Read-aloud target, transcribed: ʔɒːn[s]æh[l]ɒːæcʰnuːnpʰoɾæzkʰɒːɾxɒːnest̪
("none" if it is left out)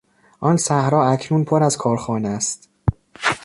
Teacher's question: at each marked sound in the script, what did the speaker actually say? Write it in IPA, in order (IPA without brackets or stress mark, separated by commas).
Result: s, ɾ